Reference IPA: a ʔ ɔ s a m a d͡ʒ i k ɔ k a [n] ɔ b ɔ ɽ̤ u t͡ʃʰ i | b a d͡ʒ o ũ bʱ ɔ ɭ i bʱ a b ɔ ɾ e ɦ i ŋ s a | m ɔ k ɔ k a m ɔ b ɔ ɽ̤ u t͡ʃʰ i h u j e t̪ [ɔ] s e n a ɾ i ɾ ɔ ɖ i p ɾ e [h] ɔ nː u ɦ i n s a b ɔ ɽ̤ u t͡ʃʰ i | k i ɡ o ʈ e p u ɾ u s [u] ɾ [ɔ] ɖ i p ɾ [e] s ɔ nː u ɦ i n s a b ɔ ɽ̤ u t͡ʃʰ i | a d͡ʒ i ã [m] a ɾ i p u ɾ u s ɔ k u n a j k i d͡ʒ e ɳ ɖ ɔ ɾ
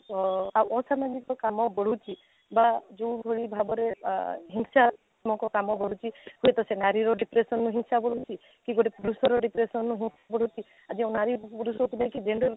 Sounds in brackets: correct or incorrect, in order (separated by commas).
incorrect, correct, incorrect, incorrect, correct, correct, incorrect